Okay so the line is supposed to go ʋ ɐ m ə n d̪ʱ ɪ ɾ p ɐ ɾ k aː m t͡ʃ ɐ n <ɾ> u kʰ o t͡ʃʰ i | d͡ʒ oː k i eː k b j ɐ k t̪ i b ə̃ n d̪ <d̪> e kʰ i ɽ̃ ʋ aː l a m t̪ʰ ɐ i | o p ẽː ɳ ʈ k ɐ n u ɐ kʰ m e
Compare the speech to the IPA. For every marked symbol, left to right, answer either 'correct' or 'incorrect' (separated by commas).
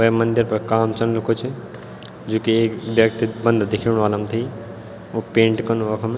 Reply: incorrect, correct